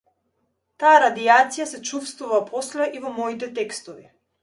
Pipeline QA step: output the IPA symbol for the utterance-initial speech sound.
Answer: t̪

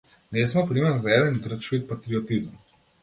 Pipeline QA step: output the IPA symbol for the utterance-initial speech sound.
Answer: n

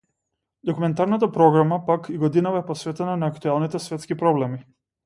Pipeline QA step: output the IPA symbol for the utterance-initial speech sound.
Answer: d̪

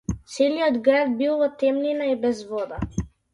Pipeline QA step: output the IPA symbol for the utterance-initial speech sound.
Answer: t̪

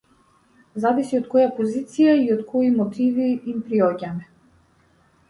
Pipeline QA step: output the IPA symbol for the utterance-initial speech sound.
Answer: z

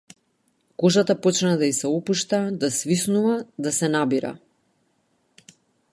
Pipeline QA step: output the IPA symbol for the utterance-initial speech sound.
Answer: k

